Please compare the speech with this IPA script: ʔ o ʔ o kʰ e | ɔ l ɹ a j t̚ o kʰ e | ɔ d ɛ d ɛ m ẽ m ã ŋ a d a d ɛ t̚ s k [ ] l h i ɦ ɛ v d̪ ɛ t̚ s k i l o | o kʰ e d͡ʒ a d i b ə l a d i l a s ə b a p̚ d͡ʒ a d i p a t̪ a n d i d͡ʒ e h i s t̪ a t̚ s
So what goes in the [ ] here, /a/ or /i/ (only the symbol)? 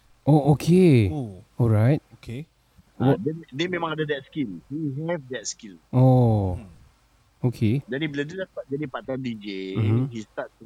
i